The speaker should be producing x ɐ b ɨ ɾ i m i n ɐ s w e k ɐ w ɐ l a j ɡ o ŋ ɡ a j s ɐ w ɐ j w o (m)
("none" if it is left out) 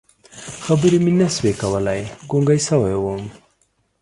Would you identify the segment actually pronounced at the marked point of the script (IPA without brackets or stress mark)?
m